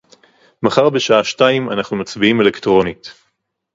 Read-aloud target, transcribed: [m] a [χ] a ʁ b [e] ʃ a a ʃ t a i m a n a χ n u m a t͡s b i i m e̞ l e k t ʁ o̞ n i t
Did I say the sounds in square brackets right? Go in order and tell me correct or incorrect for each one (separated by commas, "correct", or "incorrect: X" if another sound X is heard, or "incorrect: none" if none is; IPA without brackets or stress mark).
correct, correct, correct